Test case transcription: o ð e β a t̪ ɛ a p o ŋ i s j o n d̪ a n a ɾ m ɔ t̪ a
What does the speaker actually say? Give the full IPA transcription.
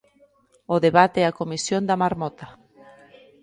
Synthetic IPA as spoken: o ð e β a t̪ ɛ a k o m i s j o n d̪ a m a ɾ m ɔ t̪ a

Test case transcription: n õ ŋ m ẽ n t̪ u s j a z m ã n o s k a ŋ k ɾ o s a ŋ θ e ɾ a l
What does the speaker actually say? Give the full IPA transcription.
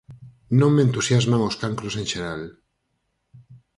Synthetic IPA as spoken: n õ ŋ m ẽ n t̪ u s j a z m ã ŋ o s k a ŋ k ɾ o s e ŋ ʃ e ɾ a l

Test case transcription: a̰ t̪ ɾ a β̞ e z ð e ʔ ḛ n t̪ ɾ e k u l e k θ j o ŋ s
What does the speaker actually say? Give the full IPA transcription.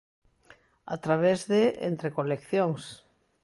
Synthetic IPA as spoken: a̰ t̪ ɾ a β̞ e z ð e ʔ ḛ n t̪ ɾ e k o l e k θ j o ŋ s

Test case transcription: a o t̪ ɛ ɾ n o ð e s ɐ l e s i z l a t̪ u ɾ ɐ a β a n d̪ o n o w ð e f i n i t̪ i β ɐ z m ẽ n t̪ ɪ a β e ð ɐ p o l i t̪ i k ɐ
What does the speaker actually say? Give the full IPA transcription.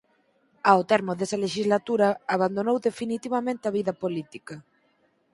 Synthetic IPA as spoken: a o t̪ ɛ ɾ m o ð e s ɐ l e ʃ i z l a t̪ u ɾ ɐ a β a n d̪ o n o w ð e f i n i t̪ i β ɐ m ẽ n t̪ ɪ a β i ð ɐ p o l i t̪ i k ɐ

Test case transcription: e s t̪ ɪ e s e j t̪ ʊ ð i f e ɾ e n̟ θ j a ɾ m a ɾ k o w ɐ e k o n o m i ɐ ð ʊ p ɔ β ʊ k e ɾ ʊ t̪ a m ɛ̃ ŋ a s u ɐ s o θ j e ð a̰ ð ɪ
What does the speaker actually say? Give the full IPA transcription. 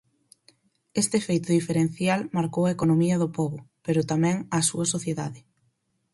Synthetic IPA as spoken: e s t̪ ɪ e f e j t̪ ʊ ð i f e ɾ e n̟ θ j a l m a ɾ k o w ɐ e k o n o m i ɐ ð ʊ p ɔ β ʊ p e ɾ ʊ t̪ a m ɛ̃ ŋ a s u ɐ s o θ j e ð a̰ ð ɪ

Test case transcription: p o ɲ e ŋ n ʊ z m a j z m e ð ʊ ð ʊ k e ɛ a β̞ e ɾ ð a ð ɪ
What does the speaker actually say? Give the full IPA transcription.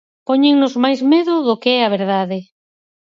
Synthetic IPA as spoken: p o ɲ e ŋ n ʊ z m a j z m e ð ʊ ð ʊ k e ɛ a β̞ e ɾ ð a ð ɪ

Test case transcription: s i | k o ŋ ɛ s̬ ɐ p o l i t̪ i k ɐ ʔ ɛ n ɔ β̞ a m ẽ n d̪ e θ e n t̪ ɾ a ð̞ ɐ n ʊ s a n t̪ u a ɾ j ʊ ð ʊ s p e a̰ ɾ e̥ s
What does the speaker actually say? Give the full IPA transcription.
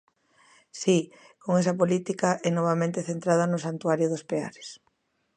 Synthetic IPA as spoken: s i | k o ŋ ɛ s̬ ɐ p o l i t̪ i k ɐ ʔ ɛ n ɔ β̞ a m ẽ n t̪ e θ e n t̪ ɾ a ð̞ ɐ n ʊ s a n t̪ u a ɾ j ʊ ð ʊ s p e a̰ ɾ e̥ s

